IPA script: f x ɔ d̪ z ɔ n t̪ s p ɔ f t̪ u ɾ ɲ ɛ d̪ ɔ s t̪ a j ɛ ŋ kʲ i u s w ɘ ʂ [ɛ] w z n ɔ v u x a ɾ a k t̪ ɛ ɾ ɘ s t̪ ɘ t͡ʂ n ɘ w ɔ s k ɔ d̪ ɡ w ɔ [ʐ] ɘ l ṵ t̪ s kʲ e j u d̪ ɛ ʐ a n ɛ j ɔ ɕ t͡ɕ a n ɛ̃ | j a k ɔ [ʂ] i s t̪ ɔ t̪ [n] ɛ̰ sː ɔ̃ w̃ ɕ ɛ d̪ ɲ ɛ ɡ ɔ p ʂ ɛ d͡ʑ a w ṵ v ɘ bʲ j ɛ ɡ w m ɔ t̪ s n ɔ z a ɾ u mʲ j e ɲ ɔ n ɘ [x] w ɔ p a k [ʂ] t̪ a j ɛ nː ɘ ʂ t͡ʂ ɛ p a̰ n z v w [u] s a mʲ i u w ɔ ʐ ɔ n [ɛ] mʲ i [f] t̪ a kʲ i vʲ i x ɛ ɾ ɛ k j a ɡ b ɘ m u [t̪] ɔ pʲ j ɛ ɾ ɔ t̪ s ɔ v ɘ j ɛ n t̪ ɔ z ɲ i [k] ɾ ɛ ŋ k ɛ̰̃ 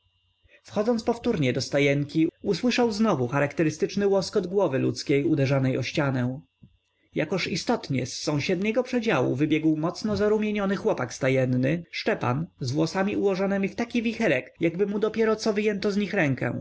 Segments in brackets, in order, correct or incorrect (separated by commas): incorrect, incorrect, correct, incorrect, correct, incorrect, incorrect, correct, correct, incorrect, incorrect